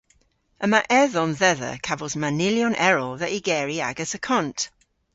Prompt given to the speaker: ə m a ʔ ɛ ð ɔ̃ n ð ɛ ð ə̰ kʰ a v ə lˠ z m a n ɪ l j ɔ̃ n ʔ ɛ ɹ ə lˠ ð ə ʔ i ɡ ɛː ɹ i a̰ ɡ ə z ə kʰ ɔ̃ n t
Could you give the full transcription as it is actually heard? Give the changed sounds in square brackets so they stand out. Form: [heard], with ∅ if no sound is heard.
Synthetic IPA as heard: ə m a ʔ ɛ ð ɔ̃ n ð ɛ ð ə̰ kʰ a v ə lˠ z m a n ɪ l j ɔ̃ n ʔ ɛ ɹ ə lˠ ð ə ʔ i ɡ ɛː ɹ i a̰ ɡ ə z ə kʰ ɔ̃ n t